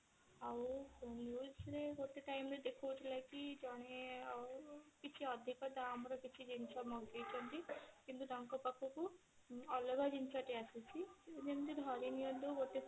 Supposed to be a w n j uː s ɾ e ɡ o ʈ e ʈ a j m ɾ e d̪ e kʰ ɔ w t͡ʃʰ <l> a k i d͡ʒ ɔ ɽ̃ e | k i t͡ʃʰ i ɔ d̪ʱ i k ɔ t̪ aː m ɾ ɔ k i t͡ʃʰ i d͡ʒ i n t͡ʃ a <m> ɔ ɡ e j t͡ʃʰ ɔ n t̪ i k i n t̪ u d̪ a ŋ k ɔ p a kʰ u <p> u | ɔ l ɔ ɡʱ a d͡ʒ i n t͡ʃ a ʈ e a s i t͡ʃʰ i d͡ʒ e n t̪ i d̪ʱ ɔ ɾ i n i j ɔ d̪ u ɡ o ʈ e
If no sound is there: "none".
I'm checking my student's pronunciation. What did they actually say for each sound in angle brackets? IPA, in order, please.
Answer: l, m, k

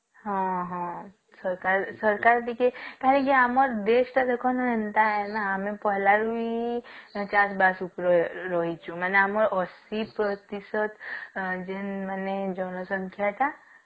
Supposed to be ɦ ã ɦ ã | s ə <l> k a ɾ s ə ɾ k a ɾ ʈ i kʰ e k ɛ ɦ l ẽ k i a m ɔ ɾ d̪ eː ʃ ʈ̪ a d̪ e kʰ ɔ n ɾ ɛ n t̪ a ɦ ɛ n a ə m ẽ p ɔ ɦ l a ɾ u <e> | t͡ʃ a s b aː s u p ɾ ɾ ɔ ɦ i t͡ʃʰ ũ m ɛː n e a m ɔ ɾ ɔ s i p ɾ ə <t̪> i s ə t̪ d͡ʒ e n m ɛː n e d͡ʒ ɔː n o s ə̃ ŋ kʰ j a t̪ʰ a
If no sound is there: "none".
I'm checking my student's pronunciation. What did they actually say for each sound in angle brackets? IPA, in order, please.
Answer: ɾ, i, t̪

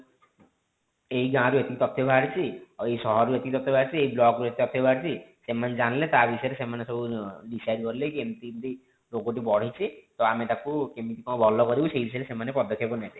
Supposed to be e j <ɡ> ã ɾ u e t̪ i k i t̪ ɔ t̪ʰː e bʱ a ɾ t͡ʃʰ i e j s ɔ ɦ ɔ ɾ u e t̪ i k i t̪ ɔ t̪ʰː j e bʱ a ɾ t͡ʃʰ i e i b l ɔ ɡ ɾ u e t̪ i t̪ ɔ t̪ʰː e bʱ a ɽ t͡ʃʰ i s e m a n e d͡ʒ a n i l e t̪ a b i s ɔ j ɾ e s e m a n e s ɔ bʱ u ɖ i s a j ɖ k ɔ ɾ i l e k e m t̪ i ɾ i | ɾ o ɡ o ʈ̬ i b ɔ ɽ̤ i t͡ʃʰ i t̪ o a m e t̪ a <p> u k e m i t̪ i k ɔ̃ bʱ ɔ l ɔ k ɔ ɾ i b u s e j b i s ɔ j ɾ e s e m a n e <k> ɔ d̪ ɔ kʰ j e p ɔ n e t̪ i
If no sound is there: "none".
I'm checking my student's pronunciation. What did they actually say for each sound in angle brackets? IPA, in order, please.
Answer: ɡ, k, p

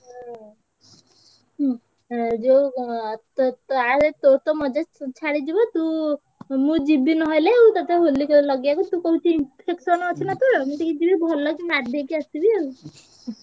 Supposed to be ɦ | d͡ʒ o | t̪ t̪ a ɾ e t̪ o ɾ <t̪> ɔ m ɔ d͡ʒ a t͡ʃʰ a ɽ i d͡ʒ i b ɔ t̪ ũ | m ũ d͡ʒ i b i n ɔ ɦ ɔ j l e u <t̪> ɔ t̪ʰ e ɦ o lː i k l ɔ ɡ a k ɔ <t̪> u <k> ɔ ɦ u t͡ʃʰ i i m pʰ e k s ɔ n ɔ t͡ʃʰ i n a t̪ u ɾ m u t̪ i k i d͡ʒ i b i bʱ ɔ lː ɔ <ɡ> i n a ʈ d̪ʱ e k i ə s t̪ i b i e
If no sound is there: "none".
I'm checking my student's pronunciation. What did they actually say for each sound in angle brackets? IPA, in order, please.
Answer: t̪, t̪, t̪, k, k

